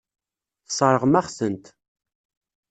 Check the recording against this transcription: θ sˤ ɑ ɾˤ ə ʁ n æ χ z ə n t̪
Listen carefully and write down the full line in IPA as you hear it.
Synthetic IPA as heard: θ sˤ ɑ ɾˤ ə ʁ m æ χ s ə n t̪